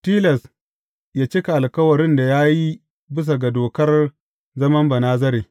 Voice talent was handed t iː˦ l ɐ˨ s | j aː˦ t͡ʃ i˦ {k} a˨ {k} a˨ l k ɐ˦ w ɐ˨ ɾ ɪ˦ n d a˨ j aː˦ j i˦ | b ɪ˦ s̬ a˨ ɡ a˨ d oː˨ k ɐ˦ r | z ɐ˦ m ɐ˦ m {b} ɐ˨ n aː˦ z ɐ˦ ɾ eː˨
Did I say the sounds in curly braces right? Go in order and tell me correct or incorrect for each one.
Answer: correct, incorrect: ʔ, correct

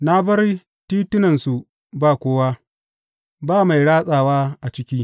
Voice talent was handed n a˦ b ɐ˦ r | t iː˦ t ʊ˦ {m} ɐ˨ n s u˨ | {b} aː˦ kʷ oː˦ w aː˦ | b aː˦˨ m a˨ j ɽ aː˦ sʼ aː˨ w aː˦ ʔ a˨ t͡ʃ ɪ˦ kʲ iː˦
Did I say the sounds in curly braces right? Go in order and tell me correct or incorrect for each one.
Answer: incorrect: n, correct

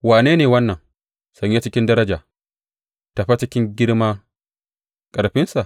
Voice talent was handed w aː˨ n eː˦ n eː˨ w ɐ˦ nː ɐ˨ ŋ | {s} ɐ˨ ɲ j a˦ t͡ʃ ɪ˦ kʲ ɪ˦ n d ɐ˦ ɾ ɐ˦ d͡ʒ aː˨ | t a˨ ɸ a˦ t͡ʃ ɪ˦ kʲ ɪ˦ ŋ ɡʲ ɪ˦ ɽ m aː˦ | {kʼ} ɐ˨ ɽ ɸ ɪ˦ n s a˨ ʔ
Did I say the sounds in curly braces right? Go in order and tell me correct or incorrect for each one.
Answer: correct, correct

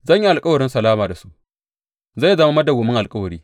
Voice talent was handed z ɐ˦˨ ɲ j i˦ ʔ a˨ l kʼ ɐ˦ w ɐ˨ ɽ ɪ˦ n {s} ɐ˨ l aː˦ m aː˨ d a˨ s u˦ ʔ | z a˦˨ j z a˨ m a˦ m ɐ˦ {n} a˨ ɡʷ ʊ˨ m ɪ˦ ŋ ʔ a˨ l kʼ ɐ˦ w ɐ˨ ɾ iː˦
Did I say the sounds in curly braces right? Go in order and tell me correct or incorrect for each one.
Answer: correct, incorrect: d

